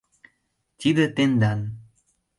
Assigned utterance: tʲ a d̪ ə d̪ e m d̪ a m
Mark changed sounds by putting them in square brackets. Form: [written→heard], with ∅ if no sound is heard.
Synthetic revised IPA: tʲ [a→i] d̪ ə [d̪→t̪] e [m→n] d̪ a [m→n]